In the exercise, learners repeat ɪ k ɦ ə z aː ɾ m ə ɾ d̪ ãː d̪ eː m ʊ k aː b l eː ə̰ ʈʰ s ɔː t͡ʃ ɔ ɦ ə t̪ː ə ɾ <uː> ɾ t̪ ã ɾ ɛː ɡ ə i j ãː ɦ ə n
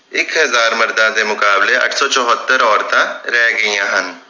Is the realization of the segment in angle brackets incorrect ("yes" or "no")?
yes